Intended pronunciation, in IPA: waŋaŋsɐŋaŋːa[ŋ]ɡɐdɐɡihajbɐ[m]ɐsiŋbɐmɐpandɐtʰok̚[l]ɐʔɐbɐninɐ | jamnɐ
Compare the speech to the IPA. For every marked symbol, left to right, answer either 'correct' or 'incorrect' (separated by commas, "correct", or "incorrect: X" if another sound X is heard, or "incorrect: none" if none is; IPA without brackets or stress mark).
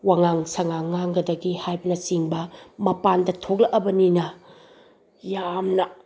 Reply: correct, incorrect: n, correct